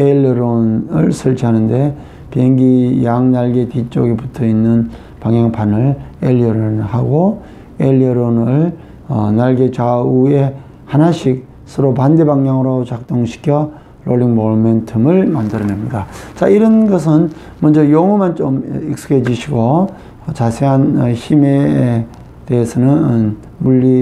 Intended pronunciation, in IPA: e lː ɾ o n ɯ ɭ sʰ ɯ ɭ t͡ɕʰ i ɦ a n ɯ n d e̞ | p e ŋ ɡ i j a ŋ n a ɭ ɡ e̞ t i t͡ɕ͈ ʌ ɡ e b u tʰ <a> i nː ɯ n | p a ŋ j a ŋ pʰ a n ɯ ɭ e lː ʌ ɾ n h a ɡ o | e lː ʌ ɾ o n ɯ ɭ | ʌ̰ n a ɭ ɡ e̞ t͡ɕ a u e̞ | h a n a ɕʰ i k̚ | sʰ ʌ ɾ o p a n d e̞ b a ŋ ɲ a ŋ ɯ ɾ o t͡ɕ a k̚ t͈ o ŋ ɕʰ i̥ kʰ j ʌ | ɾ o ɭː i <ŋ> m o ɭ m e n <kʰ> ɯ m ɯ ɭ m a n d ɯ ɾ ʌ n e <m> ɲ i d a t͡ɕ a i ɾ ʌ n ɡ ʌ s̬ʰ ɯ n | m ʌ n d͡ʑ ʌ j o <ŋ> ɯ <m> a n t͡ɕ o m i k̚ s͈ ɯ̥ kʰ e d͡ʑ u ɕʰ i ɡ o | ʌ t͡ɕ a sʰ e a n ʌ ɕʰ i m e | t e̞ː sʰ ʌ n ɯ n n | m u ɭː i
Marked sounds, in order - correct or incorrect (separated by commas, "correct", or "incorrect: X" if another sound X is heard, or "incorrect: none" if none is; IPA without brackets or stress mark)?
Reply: incorrect: ʌ, correct, incorrect: tʰ, correct, correct, correct